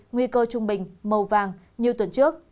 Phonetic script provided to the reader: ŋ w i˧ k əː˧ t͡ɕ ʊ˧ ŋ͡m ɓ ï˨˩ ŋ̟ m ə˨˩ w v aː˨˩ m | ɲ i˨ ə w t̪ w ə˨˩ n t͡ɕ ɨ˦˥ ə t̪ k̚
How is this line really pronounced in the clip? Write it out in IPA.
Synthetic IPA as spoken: ŋ w i˧ k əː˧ t͡ɕ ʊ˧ ŋ͡m ɓ ï˨˩ ŋ̟ m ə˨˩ w v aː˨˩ ŋ | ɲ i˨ ə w t̪ w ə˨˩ n t͡ɕ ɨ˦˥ ə k̚

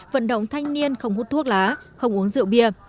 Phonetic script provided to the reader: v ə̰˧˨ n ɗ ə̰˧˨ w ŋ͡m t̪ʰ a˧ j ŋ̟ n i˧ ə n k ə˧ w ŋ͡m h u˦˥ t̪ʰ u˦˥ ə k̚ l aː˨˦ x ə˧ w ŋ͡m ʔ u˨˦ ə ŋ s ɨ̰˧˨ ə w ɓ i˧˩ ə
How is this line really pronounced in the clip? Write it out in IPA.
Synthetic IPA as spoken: v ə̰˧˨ n ɗ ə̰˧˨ w ŋ͡m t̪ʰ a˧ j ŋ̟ n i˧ ə n x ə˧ w ŋ͡m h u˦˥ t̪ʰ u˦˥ ə k̚ l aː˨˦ x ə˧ w ŋ͡m ʔ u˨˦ ə ŋ z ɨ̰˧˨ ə w ɓ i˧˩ ə

